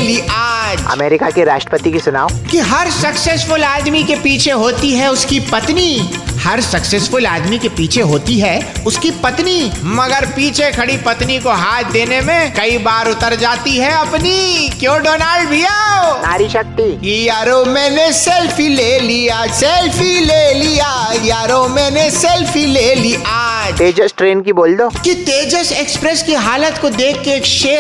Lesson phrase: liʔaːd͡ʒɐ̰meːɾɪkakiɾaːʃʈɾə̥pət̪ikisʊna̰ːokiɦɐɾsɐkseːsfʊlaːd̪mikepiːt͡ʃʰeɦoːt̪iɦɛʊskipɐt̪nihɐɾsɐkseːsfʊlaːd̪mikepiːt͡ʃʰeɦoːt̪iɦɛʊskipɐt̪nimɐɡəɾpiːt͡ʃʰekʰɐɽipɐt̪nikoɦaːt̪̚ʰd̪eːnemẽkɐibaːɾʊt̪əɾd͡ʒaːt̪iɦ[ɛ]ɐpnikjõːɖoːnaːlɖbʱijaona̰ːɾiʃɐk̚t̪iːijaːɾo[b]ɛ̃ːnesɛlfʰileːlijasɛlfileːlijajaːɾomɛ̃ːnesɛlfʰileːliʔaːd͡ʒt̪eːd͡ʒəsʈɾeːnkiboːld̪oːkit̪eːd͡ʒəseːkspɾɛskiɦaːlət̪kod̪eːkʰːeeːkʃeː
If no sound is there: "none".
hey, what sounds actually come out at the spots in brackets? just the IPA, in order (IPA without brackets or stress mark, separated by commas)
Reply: ɛ, m